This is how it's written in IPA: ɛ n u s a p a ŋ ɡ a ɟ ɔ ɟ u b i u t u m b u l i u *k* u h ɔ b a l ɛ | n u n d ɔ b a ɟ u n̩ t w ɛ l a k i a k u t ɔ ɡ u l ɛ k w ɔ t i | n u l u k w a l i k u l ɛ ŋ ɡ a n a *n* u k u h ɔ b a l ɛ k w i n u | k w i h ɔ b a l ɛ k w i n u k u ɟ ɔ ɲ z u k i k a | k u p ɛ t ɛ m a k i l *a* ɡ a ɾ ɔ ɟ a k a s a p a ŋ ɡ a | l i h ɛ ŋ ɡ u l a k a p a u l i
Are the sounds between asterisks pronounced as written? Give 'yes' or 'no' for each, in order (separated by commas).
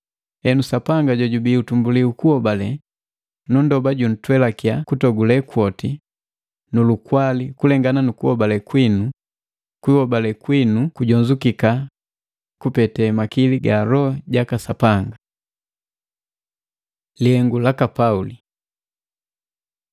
yes, yes, no